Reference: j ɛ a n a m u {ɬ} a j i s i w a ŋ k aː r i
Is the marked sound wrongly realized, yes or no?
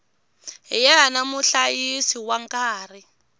no